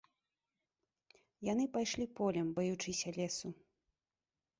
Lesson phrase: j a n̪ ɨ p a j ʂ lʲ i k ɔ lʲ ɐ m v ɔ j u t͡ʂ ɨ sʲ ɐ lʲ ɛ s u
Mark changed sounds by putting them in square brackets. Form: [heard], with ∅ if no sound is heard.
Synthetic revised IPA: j a n̪ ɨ p a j ʂ lʲ i [p] ɔ lʲ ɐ m [b] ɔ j u t͡ʂ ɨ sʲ ɐ lʲ ɛ s u